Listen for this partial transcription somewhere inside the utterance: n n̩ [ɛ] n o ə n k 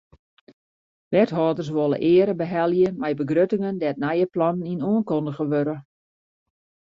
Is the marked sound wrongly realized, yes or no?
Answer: yes